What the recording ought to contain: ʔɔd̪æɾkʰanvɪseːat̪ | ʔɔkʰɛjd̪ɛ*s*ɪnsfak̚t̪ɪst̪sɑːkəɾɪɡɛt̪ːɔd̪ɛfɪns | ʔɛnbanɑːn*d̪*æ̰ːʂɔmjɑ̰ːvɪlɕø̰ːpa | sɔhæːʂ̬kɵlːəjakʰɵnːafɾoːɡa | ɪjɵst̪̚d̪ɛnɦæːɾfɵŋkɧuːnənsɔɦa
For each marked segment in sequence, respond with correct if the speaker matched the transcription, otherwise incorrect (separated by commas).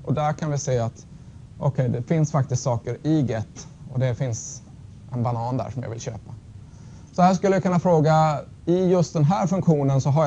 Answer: incorrect, correct